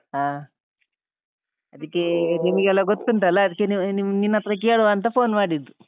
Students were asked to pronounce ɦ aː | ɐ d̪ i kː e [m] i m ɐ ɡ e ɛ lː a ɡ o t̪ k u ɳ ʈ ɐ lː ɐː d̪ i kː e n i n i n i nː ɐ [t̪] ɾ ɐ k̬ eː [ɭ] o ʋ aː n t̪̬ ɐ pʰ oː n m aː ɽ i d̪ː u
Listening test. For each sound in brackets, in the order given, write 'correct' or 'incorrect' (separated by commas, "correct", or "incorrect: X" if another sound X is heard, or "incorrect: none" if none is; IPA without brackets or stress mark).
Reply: incorrect: n, correct, correct